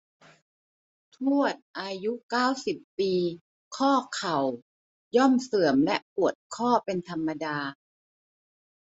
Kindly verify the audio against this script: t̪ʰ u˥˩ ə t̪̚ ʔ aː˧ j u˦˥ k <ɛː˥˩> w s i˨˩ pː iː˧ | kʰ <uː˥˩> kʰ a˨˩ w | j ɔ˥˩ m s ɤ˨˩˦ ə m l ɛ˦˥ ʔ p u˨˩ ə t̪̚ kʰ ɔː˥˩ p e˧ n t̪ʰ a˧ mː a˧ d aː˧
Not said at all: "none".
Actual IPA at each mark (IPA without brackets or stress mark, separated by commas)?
aː˥˩, ɔː˥˩